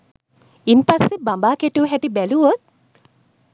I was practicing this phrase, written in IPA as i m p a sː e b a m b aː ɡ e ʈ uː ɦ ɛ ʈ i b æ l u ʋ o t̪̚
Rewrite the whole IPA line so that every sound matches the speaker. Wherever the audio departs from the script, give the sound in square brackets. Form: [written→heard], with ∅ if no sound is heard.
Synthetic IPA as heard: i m p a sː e b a m b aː [ɡ→k] e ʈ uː ɦ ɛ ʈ i b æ l u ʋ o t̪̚